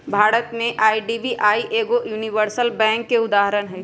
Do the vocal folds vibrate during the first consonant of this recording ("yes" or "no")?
yes